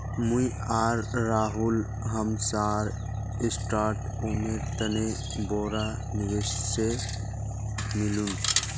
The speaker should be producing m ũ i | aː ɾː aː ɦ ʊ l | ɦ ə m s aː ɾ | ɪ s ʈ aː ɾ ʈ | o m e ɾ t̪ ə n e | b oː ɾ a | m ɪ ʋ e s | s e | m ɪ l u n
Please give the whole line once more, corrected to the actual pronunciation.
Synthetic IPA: m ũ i | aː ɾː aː ɦ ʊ l | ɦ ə m s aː ɾ | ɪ s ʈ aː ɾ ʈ | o m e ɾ t̪ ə n e | b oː ɾ a | n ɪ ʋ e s | s e | m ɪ l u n